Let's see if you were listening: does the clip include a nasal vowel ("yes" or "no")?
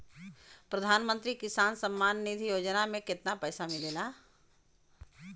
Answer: yes